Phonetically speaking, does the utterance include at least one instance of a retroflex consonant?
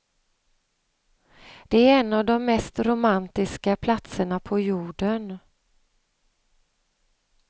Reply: yes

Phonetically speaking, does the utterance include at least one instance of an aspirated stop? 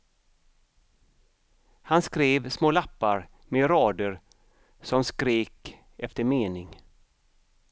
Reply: no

